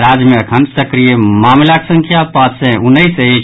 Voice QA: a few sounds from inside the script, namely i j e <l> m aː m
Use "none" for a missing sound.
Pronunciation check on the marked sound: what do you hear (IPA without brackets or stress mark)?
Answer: none